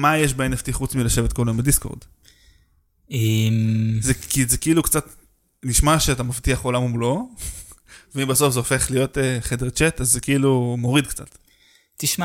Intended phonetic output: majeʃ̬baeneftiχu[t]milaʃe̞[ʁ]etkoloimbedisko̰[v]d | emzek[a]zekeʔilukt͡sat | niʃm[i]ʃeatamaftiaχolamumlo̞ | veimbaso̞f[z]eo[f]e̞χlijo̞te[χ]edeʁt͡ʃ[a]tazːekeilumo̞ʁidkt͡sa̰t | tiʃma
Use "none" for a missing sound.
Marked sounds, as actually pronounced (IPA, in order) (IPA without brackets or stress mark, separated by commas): t͡s, v, ʁ, i, a, z, f, χ, e